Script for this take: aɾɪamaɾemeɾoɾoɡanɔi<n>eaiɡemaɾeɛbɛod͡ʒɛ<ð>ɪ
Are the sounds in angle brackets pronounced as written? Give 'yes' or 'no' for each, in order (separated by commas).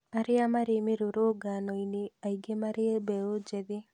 yes, yes